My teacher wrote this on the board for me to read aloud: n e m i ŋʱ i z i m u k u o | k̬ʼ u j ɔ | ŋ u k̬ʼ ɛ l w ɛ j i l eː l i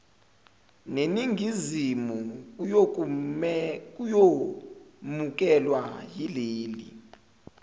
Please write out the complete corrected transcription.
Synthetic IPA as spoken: n e n i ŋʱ i z i m u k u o | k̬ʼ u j o | m u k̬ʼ ɛ l w a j i l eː l i